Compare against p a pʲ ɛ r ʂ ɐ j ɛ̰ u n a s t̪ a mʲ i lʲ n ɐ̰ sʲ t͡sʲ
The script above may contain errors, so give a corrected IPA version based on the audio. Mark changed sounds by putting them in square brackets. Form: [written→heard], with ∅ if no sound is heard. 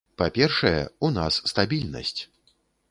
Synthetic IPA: p a pʲ ɛ r ʂ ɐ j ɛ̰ u n a [s→sː] t̪ a [mʲ→bʲ] i lʲ n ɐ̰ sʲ t͡sʲ